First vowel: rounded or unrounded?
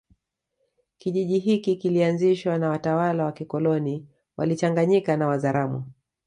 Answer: unrounded